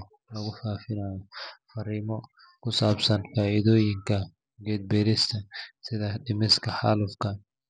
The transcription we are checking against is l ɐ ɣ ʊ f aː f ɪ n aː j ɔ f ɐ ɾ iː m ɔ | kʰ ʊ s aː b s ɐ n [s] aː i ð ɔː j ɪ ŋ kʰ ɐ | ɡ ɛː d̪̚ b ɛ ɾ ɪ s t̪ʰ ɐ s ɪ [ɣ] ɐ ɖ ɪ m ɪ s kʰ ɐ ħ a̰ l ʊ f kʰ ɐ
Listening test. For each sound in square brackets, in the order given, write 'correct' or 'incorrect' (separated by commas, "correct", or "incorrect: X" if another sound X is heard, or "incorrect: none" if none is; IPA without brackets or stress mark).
incorrect: f, incorrect: ð